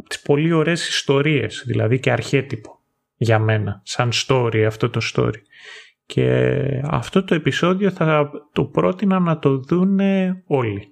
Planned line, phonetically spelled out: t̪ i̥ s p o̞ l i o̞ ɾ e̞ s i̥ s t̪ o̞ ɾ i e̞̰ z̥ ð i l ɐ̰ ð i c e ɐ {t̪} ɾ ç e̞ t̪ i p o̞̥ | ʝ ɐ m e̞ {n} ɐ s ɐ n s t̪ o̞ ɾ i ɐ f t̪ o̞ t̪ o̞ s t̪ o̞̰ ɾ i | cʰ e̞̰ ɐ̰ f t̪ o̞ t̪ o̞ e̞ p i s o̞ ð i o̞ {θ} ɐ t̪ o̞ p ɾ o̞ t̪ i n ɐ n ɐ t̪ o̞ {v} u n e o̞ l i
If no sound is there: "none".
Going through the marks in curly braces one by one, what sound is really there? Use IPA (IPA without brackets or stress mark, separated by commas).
none, n, θ, ð